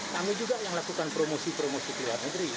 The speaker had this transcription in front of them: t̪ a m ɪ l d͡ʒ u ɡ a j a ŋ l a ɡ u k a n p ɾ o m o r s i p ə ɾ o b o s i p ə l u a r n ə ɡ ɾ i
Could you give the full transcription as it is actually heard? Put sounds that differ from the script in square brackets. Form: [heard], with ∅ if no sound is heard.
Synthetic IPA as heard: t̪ a m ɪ l d͡ʒ u ɡ a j a ŋ l a [k] u k a n p ɾ o m o [∅] s i p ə ɾ o [m] o s i [k] ə l u a r n ə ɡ ɾ i

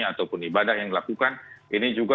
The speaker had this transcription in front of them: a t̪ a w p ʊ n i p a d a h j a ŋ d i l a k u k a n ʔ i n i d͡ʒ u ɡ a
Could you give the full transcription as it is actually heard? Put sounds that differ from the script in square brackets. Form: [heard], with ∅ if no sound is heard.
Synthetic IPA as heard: a t̪ a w p ʊ n i [b] a d a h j a ŋ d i l a k u k a n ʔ i n i d͡ʒ u ɡ a

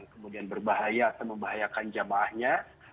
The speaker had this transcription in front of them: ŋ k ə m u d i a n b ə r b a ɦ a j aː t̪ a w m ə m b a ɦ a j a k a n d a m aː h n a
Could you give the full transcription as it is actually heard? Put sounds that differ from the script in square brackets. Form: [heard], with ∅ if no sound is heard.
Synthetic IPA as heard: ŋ k ə m u d i a n b ə r b a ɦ a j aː t̪ a w m ə m b a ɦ a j a k a n [d͡ʒ] a m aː h [ɲ] a

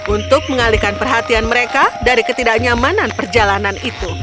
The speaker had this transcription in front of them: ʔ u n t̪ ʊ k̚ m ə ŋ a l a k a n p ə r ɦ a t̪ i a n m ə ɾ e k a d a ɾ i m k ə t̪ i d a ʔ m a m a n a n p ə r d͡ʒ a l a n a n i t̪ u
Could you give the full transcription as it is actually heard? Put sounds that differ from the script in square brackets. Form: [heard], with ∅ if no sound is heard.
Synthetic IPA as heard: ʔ u n t̪ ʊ k̚ m ə ŋ a l [i] k a n p ə r ɦ a t̪ i a n m ə ɾ e k a d a ɾ i [∅] k ə t̪ i d a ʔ [ɲ] a m a n a n p ə r d͡ʒ a l a n a n i t̪ u

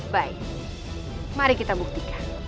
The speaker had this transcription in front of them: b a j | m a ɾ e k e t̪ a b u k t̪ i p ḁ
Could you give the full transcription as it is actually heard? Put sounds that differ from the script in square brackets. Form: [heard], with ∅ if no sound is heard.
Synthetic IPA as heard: b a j | m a ɾ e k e t̪ a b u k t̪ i [k] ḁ

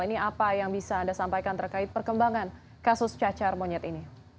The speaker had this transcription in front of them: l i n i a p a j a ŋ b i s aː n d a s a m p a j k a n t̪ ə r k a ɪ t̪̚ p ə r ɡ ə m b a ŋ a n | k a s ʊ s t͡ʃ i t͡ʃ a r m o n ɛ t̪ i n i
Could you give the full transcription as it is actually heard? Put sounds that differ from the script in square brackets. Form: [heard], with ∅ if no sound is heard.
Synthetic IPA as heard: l i n i a p a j a ŋ b i s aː n d a s a m p a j k a n t̪ ə r k a ɪ t̪̚ p ə r [k] ə m b a ŋ a n | k a s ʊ s t͡ʃ [a] t͡ʃ a r m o [ɲ] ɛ t̪ i n i

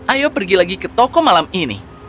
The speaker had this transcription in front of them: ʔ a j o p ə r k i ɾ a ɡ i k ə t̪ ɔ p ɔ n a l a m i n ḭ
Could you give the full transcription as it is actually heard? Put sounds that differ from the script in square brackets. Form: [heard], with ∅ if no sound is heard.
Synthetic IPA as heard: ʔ a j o p ə r [ɡ] i [l] a ɡ i k ə t̪ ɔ [k] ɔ [m] a l a m i n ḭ

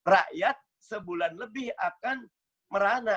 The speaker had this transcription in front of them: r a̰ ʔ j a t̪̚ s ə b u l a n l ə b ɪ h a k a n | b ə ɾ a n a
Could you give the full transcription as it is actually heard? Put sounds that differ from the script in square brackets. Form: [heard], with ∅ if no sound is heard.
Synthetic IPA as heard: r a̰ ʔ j a t̪̚ s ə b u l a n l ə b ɪ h a k a n | [m] ə ɾ a n a

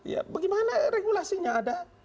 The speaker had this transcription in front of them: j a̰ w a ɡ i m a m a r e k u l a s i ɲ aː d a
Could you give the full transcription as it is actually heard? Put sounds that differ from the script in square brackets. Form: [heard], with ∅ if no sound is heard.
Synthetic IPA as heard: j a̰ [b] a ɡ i m a [n] a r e [ɡ] u l a s i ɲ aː d a

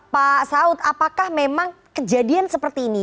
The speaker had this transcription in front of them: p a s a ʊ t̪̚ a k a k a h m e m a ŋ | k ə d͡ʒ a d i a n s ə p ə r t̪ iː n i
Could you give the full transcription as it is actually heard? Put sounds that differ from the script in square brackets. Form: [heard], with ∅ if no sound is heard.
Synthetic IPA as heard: p a s a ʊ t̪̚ a [p] a k a h m e m a ŋ | k ə d͡ʒ a d i a n s ə p ə r t̪ iː n i

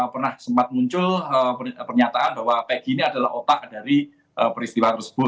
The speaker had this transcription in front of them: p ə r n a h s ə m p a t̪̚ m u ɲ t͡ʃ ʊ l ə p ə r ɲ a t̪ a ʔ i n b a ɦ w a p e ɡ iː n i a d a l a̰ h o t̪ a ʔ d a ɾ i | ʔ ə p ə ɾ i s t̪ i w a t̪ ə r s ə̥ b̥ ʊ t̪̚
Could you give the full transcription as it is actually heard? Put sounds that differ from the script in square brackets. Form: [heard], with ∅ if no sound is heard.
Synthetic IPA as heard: p ə r n a h s ə m p a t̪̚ m u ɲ t͡ʃ ʊ l ə p ə r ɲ a t̪ a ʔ [a] n b a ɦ w a p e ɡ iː n i a d a l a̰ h o t̪ a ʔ d a ɾ i | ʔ ə p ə ɾ i s t̪ i w a t̪ ə r s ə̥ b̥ ʊ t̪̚

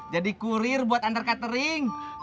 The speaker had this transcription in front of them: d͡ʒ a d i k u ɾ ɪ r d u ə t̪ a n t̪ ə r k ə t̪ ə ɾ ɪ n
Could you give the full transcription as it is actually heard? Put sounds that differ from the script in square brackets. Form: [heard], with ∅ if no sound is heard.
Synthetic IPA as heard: d͡ʒ a d i k u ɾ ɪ r [b] u [a] t̪ a n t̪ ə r k [a] t̪ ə ɾ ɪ [ŋ]

